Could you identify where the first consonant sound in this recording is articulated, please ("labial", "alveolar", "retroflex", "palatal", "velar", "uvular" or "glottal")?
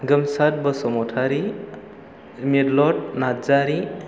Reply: velar